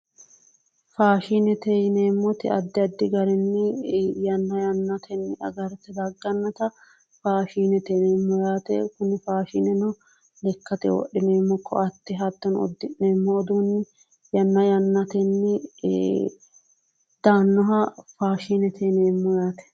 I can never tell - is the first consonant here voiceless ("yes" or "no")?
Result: yes